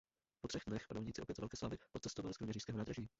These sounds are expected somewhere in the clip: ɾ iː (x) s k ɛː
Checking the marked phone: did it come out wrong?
yes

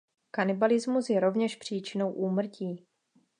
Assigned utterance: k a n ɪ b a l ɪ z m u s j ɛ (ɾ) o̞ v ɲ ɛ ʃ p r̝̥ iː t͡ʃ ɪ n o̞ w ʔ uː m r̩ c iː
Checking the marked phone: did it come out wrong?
no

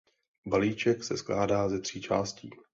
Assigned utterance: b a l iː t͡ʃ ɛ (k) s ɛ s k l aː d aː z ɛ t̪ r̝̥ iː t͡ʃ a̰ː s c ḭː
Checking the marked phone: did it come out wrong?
no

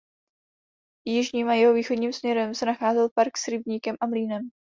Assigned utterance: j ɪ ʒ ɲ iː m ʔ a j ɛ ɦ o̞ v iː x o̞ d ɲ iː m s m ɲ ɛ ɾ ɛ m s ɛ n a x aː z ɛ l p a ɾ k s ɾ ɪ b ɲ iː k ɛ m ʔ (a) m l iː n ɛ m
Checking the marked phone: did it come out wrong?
no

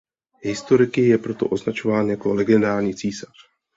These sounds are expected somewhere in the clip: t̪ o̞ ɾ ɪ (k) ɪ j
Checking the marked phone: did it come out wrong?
no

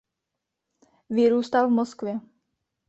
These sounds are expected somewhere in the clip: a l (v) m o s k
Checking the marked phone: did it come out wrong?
no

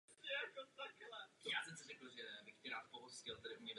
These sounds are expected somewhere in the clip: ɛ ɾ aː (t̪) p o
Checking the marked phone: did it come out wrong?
no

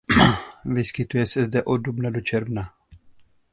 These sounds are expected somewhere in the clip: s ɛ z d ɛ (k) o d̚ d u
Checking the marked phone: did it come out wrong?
yes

